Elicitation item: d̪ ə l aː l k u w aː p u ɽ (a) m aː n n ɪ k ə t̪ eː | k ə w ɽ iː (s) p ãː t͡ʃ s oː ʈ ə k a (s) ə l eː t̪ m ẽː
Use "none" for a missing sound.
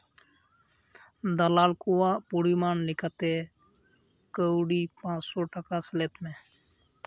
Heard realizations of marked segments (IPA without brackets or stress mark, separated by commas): i, none, s